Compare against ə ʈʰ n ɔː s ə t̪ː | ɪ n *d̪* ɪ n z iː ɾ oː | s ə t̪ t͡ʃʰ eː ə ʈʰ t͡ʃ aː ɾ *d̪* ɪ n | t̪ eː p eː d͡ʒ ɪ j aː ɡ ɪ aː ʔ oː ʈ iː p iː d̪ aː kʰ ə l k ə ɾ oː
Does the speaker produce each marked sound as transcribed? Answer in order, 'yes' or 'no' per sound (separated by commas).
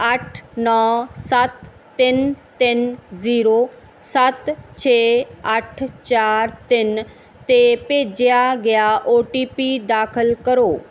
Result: no, no